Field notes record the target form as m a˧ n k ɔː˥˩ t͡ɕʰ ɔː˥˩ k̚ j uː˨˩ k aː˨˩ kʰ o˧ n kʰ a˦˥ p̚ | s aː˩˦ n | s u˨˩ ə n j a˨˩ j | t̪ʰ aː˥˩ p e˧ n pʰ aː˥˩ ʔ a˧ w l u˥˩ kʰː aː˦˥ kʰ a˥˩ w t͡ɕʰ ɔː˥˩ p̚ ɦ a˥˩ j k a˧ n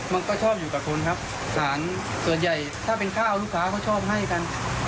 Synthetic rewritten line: m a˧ n k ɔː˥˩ t͡ɕʰ ɔː˥˩ p̚ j uː˨˩ k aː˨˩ kʰ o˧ n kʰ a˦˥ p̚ | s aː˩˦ n | s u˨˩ ə n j a˨˩ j | t̪ʰ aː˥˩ p e˧ n kʰ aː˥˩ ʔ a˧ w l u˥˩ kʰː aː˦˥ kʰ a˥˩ w t͡ɕʰ ɔː˥˩ p̚ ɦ a˥˩ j k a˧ n

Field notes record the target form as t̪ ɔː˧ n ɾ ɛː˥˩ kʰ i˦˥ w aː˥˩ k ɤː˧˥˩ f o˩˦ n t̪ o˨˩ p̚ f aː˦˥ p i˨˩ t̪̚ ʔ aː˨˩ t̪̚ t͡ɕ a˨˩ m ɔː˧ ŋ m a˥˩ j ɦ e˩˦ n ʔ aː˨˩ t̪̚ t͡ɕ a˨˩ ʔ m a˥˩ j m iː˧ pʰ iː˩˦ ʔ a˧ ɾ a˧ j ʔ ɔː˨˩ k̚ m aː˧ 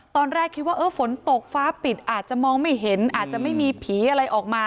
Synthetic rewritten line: t̪ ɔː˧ n ɾ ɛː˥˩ kʰ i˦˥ w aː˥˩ ʔ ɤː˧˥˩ f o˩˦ n t̪ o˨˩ k̚ f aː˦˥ p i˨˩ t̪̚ ʔ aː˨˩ t̪̚ t͡ɕ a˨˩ m ɔː˧ ŋ m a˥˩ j ɦ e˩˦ n ʔ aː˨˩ t̪̚ t͡ɕ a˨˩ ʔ m a˥˩ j m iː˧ pʰ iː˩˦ ʔ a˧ ɾ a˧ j ʔ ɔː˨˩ k̚ m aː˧

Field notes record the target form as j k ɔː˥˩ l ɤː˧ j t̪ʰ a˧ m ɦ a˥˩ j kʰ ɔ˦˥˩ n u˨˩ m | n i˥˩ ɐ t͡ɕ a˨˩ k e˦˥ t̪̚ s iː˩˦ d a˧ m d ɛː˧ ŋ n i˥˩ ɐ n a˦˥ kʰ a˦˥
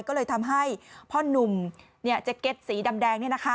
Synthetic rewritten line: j k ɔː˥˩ l ɤː˧ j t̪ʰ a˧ m ɦ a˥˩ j pʰ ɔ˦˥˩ n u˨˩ m | n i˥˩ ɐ t͡ɕ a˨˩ k e˦˥ t̪̚ s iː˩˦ d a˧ m d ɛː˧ ŋ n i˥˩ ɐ n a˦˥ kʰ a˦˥

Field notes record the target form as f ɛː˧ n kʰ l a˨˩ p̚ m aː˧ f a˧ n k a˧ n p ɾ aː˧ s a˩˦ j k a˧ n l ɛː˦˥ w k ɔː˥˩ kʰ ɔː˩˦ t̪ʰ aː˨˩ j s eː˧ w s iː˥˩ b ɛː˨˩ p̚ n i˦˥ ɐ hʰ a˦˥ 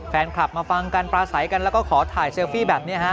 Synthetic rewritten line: f ɛː˧ n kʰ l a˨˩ p̚ m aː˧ f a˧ ŋ k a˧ n p ɾ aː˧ s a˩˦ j k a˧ n l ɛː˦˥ w k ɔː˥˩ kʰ ɔː˩˦ t̪ʰ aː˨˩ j s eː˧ w f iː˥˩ b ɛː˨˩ p̚ n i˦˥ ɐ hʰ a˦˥

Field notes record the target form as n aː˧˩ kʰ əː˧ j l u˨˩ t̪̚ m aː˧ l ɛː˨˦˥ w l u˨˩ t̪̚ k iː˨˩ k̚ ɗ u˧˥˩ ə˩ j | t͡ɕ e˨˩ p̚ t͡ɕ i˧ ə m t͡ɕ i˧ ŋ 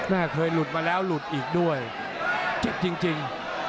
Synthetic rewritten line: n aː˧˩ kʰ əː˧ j l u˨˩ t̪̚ m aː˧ l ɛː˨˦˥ w l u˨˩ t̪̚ ʔ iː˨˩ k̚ ɗ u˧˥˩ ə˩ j | t͡ɕ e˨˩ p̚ t͡ɕ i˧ ə ŋ t͡ɕ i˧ ŋ

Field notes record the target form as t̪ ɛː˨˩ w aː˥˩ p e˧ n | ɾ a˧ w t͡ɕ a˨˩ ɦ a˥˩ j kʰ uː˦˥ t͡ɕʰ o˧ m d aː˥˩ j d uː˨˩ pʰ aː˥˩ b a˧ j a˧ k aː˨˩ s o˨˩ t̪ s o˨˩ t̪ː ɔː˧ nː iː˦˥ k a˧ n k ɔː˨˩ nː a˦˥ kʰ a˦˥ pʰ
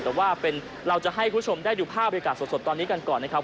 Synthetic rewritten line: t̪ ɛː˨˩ w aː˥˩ p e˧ n | ɾ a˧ w t͡ɕ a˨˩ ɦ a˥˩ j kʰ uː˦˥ t͡ɕʰ o˧ m d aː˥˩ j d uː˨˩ pʰ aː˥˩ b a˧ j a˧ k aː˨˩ s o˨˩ t̪ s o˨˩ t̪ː ɔː˧ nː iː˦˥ k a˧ n k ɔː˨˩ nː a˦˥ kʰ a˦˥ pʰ

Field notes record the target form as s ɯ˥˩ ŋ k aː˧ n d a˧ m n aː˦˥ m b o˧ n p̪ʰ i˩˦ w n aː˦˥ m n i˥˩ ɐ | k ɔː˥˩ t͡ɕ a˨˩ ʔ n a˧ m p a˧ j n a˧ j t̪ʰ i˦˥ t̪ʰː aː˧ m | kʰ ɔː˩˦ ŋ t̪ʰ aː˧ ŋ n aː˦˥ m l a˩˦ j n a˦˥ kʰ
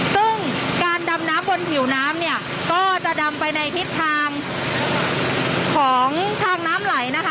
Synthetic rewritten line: s ɯ˥˩ ŋ k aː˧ n d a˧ m n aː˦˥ m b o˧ n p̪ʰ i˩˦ w n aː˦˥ m n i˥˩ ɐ | k ɔː˥˩ t͡ɕ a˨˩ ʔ d a˧ m p a˧ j n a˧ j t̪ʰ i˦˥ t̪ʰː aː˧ ŋ | kʰ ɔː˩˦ ŋ t̪ʰ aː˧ ŋ n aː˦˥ m l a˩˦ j n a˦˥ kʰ

